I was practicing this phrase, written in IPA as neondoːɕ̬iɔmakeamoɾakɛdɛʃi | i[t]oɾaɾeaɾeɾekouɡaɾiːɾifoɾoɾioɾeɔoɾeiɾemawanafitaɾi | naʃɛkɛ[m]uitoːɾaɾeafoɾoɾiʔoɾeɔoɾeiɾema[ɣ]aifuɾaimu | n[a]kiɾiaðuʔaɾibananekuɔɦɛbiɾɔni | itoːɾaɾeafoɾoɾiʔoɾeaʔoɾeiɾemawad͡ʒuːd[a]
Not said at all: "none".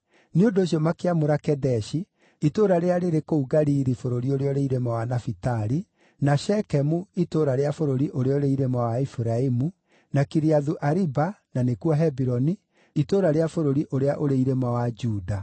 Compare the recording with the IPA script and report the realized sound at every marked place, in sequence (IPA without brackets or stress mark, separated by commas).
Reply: t, m, w, a, a